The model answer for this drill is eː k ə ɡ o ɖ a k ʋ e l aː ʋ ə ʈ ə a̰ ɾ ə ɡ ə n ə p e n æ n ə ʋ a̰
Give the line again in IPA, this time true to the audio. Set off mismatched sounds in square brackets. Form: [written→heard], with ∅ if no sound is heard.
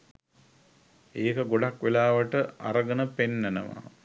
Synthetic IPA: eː k ə ɡ o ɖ a k ʋ e l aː ʋ ə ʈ ə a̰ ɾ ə ɡ ə n ə p e [n→nː] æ n ə ʋ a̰